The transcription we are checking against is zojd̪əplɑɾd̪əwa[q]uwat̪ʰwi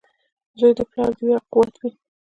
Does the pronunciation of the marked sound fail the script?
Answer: no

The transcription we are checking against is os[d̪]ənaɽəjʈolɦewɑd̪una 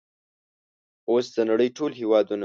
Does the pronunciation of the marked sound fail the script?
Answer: no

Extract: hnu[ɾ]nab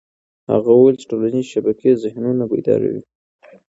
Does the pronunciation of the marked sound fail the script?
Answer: yes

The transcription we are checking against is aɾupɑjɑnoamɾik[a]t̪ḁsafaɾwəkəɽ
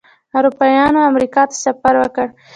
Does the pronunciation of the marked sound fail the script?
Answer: yes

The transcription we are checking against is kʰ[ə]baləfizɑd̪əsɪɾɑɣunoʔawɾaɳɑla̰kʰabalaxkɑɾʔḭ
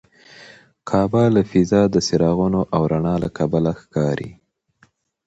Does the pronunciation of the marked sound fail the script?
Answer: yes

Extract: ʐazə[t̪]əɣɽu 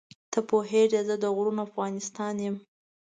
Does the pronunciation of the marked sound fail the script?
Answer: yes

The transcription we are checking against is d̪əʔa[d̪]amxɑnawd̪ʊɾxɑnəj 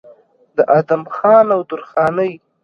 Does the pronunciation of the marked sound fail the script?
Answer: no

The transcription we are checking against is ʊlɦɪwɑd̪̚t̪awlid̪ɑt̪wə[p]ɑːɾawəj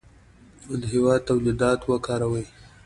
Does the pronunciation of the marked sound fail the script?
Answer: yes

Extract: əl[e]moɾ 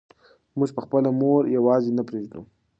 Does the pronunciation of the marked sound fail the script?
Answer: yes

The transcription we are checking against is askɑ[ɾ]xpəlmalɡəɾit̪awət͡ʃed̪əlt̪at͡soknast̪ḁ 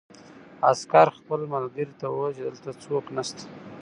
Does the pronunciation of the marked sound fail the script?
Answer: no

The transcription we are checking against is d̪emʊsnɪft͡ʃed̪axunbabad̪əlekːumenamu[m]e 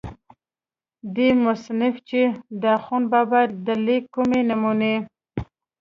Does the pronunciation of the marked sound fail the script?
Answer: yes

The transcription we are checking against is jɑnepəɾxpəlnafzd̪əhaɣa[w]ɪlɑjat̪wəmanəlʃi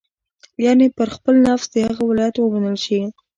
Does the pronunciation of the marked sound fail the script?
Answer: no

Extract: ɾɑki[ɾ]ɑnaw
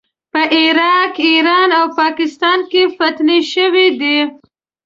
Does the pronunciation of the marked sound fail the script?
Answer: no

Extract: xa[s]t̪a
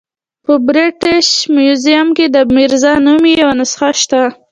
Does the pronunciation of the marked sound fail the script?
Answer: yes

